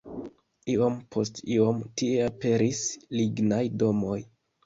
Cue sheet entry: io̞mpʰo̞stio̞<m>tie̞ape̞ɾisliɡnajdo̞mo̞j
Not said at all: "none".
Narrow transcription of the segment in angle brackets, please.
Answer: m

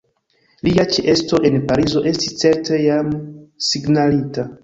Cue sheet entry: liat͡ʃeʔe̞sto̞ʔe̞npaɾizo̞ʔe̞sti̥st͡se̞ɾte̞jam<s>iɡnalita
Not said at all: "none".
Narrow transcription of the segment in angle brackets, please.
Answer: s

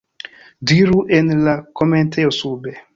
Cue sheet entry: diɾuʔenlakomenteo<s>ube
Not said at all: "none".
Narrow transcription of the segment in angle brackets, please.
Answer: s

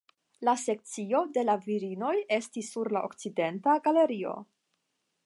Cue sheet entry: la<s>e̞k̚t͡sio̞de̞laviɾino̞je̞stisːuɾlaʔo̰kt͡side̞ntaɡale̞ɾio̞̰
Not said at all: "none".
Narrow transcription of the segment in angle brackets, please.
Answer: s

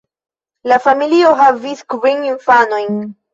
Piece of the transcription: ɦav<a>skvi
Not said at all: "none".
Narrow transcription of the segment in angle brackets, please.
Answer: i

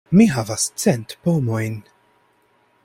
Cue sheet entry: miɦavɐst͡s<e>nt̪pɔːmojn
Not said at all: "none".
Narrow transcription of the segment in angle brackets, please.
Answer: ɛ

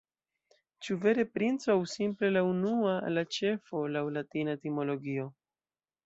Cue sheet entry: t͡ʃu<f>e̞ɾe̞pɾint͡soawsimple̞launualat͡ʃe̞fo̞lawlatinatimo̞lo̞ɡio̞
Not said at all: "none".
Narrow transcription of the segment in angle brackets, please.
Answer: v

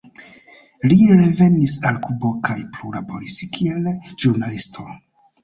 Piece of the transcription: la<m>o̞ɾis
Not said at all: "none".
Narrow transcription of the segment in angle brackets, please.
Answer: b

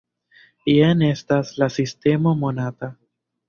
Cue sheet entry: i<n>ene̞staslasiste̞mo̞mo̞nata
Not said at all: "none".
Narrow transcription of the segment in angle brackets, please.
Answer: none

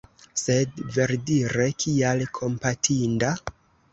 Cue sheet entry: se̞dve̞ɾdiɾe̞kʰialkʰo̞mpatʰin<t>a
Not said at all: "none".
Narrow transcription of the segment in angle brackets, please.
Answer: d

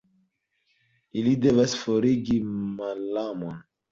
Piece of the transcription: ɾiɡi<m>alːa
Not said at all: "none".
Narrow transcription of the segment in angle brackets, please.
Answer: m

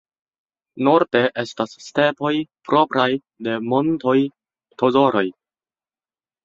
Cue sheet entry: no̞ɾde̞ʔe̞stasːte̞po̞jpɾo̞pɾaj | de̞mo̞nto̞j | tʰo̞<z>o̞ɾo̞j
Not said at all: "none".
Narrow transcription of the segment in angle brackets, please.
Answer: z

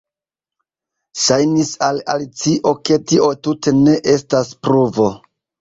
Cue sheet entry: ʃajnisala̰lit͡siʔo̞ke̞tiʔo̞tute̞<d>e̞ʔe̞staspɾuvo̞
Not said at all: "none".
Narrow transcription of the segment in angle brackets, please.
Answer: n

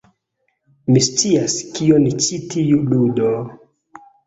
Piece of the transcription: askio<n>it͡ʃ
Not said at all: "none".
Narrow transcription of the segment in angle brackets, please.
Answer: n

